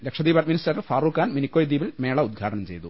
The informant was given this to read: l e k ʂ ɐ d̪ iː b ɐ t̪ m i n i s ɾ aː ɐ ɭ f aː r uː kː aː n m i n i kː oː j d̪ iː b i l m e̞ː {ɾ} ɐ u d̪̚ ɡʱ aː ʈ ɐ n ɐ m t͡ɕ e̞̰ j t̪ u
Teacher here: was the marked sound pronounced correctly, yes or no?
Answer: no